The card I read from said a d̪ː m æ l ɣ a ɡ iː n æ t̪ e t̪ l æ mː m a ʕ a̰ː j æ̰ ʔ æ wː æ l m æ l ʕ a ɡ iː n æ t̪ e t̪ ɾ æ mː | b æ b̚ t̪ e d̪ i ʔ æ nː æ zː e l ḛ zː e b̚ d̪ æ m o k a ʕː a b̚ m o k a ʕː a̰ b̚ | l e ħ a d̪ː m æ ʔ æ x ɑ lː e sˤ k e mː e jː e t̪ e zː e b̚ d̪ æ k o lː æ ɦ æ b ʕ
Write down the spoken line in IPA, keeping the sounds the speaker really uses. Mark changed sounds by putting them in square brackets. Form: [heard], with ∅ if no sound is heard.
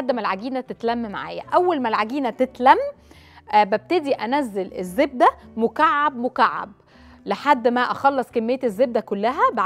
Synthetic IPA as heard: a d̪ː m æ l [ʕ] a ɡ iː n æ t̪ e t̪ l æ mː m a ʕ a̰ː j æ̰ ʔ æ wː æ l m æ l ʕ a ɡ iː n æ t̪ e t̪ [l] æ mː | b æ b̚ t̪ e d̪ i ʔ æ [n] æ zː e l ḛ zː e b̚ d̪ æ m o k a ʕː a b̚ m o k a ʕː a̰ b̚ | l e ħ a d̪ː m æ ʔ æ x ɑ lː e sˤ k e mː e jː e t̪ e zː e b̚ d̪ æ k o lː æ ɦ æ b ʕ

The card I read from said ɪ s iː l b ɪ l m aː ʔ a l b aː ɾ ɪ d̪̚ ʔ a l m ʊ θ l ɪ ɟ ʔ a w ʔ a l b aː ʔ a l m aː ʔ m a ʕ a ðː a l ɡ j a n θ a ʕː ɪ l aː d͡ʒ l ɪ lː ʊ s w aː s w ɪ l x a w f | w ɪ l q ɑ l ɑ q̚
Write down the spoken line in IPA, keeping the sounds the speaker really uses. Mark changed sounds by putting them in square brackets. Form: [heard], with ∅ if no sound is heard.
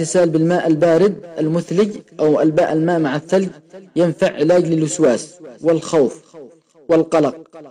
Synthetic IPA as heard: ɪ s [aː] l b ɪ l m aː ʔ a l b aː ɾ ɪ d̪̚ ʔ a l m ʊ θ l ɪ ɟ ʔ a w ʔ a l b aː ʔ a l m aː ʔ m a ʕ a [θː] a l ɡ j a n [f] a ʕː ɪ l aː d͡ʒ l ɪ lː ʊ s w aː s w ɪ l x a w f | w ɪ l q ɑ l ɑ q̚

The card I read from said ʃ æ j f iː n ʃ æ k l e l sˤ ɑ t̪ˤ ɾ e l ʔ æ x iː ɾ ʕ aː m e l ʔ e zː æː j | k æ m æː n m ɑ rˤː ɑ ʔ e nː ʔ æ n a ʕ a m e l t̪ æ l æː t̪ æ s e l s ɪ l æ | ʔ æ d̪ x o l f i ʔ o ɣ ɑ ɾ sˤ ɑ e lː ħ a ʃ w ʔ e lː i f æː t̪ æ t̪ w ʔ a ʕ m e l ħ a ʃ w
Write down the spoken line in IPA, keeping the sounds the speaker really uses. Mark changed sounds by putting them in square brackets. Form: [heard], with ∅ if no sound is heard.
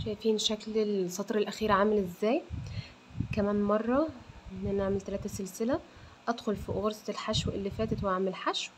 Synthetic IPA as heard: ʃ æ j f iː n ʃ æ k l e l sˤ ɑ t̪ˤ ɾ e l ʔ æ x iː ɾ ʕ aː m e l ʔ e zː æː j | k æ m æː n m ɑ rˤː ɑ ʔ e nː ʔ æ n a ʕ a m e l t̪ æ l æː t̪ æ s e l s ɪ l æ | ʔ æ d̪ x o l f i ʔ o ɣ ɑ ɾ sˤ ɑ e [l] ħ a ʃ w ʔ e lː i f æː t̪ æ t̪ w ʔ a ʕ m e l ħ a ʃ w

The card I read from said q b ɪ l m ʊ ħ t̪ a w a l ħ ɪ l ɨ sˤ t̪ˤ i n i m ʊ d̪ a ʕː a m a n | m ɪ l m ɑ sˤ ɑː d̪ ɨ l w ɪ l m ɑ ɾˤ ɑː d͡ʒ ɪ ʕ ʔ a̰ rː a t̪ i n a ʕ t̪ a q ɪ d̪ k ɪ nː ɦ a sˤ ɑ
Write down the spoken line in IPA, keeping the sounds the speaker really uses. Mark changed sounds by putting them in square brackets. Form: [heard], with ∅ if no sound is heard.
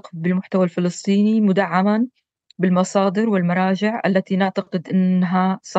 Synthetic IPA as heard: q b ɪ l m ʊ ħ t̪ a w a l [f] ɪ l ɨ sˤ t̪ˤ [iː] n i m ʊ d̪ a ʕː a m a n | [b] ɪ l m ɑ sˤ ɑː d̪ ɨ [ɾ] w ɪ l m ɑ ɾˤ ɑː d͡ʒ ɪ ʕ ʔ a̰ [lː] a t̪ i n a ʕ t̪ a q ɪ d̪ [ʔ] ɪ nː ɦ a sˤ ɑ

